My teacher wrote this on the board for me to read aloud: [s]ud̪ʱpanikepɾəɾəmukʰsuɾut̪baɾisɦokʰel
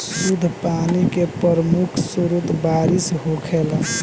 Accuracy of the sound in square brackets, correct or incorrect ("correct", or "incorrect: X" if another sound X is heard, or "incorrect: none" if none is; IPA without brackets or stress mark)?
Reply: correct